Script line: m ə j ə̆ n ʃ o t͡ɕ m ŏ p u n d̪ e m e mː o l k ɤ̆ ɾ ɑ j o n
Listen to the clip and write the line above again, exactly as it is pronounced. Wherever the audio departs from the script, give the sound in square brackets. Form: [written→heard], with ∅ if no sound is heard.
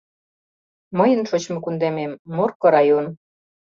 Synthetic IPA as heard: m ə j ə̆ n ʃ o t͡ɕ m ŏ [p→k] u n d̪ e m e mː o [l→r] k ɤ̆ ɾ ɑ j o n